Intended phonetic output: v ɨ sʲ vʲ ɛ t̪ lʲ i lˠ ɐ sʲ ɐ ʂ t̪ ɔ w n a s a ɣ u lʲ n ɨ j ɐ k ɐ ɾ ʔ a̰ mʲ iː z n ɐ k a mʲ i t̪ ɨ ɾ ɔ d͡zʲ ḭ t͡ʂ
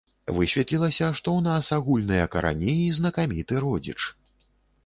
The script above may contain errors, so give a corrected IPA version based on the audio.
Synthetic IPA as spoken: v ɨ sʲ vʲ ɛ t̪ lʲ i lˠ ɐ sʲ ɐ ʂ t̪ ɔ w n a s a ɣ u lʲ n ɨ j ɐ k ɐ ɾ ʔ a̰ nʲ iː z n ɐ k a mʲ i t̪ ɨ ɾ ɔ d͡zʲ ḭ t͡ʂ